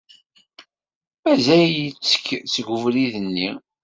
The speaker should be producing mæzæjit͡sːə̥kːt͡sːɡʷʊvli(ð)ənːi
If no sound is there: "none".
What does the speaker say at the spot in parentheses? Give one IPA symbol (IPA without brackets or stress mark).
ð